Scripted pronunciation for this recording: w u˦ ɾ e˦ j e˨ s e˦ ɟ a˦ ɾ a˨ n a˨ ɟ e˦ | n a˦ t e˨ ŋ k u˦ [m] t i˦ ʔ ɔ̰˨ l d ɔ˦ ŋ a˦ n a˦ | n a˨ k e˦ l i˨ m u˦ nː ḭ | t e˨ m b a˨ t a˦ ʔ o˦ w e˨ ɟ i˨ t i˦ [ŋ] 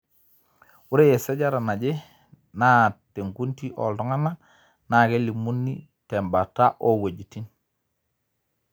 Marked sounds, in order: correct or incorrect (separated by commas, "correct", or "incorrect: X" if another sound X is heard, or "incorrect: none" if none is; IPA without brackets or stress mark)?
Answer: incorrect: n, incorrect: n